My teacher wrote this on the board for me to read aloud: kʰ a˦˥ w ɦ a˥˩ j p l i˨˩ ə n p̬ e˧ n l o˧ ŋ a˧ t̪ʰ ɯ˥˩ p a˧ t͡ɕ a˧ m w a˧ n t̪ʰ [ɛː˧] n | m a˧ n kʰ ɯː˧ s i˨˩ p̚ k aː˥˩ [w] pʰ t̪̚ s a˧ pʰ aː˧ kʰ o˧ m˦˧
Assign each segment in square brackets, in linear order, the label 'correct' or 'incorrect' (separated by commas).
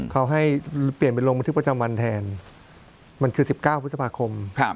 correct, correct